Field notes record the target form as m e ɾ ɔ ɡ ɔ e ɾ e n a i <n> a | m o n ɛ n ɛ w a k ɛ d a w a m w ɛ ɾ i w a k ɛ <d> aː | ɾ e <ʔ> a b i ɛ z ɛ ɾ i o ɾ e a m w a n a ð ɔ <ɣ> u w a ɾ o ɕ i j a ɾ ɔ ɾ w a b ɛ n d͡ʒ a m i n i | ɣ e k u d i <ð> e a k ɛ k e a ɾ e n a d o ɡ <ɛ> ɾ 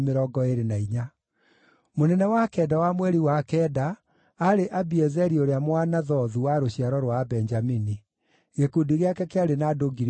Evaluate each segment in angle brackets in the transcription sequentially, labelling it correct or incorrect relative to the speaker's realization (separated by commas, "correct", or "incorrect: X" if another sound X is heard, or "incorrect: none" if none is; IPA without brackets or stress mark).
incorrect: ɲ, correct, correct, incorrect: ð, incorrect: ɣ, incorrect: i